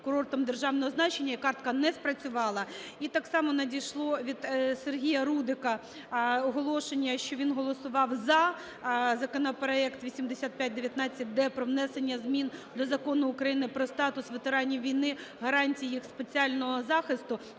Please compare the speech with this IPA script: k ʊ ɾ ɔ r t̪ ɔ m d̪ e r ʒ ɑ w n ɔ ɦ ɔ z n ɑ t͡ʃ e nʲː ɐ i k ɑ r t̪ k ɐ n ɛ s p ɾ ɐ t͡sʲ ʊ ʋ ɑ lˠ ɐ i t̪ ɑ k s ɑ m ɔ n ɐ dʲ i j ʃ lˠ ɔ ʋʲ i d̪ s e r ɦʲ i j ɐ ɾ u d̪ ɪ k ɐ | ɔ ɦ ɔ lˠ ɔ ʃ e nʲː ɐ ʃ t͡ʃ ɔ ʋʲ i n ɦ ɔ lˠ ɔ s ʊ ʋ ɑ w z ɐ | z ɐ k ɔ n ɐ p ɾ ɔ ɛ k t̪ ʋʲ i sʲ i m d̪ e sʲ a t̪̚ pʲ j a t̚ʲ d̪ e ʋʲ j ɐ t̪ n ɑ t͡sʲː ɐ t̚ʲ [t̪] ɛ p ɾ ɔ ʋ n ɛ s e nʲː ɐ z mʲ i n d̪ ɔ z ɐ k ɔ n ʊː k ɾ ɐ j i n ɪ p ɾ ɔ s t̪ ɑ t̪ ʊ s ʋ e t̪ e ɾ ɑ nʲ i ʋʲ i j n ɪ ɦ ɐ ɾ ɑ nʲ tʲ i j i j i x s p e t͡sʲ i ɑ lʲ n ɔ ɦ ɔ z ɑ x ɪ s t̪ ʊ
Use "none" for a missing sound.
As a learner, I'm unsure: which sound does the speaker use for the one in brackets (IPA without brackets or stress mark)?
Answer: d̪